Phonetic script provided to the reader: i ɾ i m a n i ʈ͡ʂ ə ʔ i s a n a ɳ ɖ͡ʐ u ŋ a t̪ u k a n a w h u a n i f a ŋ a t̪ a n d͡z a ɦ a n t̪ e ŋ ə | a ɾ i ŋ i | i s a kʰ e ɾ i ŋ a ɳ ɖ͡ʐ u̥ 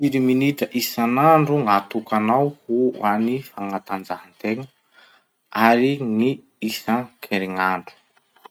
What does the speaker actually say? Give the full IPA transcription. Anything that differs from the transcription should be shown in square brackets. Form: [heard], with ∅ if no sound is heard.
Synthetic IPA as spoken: i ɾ i m [i] n i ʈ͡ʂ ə ʔ i s a n a ɳ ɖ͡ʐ u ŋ a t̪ u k a n a w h u a n i f a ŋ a t̪ a n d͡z a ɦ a n t̪ e ŋ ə | a ɾ i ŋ i | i s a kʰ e ɾ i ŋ a ɳ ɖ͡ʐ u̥